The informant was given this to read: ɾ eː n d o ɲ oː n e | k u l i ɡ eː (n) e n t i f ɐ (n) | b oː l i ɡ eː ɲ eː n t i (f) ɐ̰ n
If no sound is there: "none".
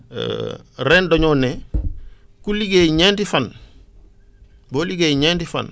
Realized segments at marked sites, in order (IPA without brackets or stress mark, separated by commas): ɲ, n, f